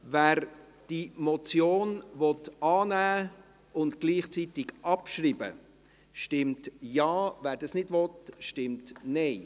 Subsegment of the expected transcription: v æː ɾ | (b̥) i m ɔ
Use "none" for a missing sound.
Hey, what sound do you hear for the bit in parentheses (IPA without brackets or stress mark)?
d̥